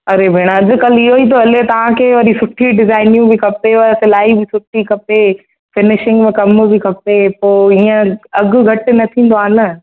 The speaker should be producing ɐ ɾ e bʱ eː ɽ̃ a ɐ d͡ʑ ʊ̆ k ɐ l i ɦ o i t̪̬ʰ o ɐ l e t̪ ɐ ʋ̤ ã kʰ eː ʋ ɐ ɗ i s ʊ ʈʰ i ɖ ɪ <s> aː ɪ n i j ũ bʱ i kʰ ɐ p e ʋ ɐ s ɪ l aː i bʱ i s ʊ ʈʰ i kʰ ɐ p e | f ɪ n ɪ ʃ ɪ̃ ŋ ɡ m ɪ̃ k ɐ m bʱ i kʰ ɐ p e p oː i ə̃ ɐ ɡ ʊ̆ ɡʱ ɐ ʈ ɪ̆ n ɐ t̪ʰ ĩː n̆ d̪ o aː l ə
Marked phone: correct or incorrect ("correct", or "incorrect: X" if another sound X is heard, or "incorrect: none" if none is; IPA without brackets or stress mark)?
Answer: incorrect: z